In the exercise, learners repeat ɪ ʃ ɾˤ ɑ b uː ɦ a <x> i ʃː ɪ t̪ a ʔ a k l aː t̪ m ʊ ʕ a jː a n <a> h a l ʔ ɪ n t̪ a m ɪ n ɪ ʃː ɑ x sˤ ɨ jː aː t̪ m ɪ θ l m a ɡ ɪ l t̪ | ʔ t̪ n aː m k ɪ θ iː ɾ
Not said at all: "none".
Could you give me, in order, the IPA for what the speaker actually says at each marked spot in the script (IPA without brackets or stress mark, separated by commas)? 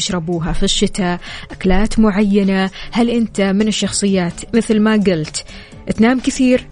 f, a